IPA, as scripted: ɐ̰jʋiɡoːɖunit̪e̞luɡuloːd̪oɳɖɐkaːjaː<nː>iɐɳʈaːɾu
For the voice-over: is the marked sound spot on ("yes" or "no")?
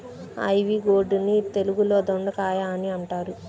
no